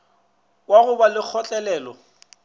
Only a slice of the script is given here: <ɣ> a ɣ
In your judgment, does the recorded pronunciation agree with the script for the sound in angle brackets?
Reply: no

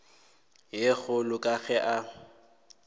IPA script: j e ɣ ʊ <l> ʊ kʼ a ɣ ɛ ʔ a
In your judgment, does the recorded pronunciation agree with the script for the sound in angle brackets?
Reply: yes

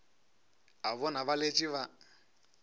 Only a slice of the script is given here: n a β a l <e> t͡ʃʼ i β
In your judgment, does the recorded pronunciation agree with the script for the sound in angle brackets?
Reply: yes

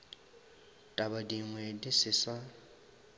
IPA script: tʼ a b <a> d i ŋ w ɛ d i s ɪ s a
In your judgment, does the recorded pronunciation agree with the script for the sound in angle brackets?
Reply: yes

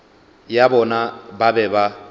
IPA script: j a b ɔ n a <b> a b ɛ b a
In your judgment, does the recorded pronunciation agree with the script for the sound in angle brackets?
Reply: yes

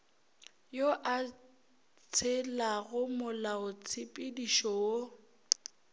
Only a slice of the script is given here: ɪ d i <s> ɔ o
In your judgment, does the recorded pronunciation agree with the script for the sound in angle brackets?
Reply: no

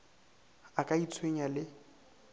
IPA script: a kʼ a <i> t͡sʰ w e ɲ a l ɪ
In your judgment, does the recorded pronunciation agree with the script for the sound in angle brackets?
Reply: yes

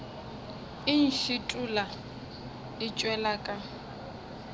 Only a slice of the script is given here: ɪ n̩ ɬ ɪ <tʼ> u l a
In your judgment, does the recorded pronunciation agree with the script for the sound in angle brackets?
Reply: yes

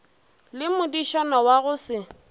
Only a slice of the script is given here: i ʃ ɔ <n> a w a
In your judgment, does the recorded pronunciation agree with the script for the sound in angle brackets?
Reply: yes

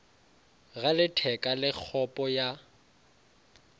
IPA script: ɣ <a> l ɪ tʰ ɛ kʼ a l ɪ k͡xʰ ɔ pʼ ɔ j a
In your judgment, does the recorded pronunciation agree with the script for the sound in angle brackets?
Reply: yes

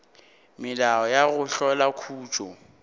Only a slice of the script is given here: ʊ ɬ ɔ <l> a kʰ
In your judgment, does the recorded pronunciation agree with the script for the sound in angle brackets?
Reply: yes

